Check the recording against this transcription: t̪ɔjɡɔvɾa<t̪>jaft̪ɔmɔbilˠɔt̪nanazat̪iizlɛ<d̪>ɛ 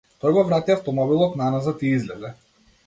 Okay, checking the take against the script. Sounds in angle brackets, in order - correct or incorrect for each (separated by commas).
correct, correct